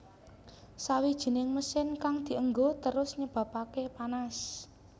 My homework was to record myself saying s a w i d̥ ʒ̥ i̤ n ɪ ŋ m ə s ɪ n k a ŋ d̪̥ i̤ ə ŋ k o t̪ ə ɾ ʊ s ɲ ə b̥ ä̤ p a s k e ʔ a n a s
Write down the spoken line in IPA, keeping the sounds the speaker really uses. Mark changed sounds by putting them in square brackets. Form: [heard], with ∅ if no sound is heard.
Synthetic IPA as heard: s a w i d̥ ʒ̥ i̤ n ɪ ŋ m ə s ɪ n k a ŋ d̪̥ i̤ ə ŋ [ɡ] o t̪ ə ɾ ʊ s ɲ ə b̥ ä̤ p a [∅] k e [p] a n a s